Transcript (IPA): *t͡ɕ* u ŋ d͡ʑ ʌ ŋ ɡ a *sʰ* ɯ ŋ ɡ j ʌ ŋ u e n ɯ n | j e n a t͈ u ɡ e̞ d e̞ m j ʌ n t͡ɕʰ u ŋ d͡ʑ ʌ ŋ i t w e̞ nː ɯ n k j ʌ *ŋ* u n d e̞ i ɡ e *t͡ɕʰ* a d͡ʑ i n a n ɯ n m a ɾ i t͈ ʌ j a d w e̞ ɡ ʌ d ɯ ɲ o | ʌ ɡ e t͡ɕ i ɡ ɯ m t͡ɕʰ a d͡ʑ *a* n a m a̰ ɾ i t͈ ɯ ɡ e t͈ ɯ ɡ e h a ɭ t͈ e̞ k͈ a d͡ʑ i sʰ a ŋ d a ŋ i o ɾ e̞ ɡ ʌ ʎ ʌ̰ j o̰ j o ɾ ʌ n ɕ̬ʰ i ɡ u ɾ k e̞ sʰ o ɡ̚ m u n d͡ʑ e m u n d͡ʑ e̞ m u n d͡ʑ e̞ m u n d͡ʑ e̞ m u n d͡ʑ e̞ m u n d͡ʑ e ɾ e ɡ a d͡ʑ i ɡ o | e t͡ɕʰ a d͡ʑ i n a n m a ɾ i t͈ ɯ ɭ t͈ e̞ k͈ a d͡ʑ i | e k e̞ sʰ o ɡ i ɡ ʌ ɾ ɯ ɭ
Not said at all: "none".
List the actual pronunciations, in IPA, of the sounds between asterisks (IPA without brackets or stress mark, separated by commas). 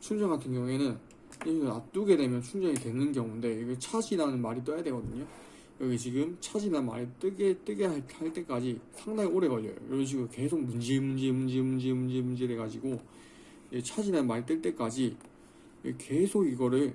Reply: t͡ɕʰ, tʰ, ŋ, t͡ɕʰ, i